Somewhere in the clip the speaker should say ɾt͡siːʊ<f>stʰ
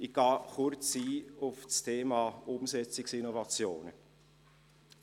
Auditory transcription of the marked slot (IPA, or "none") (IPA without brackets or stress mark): f